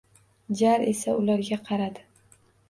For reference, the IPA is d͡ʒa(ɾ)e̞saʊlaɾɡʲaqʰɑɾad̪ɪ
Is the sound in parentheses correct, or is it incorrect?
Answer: correct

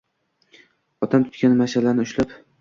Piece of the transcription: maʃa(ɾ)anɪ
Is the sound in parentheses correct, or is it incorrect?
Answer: incorrect: l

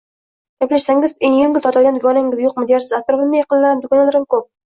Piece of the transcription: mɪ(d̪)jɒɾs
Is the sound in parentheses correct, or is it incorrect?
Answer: correct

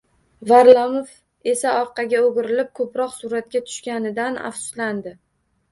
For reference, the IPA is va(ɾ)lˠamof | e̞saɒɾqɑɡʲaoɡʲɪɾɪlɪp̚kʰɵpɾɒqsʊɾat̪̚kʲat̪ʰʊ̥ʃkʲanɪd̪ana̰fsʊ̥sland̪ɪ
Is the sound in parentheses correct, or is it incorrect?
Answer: correct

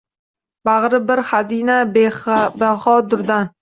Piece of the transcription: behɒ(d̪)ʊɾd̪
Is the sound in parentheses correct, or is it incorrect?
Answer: correct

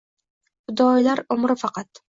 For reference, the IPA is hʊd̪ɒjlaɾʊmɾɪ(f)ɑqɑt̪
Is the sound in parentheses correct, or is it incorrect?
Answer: correct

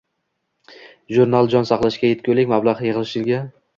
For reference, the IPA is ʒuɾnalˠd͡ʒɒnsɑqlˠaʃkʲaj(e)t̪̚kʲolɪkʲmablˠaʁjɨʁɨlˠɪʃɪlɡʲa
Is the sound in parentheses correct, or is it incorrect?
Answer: correct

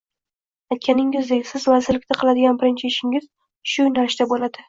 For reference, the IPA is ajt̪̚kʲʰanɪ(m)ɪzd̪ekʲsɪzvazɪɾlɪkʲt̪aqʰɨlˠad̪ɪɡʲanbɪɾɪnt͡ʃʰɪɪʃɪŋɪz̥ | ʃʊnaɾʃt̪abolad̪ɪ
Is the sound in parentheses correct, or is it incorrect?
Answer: incorrect: ŋ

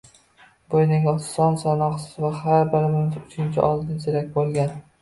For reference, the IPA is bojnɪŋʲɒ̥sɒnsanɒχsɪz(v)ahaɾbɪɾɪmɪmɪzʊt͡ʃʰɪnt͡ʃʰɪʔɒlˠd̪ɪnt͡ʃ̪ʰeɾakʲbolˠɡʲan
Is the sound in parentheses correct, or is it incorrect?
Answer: correct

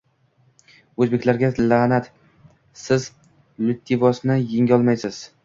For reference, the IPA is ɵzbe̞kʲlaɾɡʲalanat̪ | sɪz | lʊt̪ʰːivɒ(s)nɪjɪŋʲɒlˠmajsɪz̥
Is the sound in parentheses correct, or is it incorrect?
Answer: correct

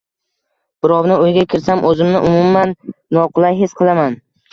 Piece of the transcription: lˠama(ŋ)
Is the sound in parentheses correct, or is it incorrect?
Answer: incorrect: n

